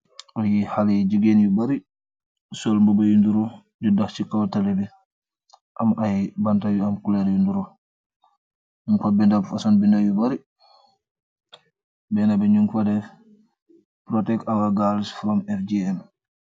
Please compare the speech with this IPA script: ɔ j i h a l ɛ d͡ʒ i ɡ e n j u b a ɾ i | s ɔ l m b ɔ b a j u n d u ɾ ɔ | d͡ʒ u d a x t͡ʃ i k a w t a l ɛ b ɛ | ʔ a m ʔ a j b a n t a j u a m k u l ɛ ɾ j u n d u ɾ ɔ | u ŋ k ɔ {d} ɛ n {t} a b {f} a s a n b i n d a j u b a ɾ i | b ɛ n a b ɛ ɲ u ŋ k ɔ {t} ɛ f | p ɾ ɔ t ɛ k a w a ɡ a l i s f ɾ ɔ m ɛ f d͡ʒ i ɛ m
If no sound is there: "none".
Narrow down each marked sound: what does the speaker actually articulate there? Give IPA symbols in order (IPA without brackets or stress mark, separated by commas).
b, d, f, d